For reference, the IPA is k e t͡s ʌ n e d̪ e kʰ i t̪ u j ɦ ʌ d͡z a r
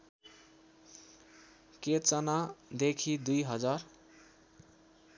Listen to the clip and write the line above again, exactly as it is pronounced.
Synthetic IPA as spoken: k e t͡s ʌ n a d̪ e kʰ i d̪ u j ɦ ʌ d͡z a r